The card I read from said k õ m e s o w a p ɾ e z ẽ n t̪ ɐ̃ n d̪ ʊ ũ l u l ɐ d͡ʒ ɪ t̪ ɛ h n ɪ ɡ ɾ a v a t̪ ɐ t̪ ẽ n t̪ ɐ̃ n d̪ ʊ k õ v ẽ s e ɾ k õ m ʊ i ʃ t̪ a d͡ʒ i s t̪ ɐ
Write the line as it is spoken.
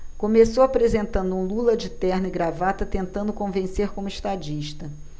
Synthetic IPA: k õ m e s o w a p ɾ e z ẽ n t̪ ɐ̃ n d̪ ʊ ũ l u l ɐ d͡ʒ ɪ t̪ ɛ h n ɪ ɡ ɾ a v a t̪ ɐ t̪ ẽ n t̪ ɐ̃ n d̪ ʊ k õ v ẽ s e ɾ k õ m ʊ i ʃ t̪ a d͡ʒ i ʃ t̪ ɐ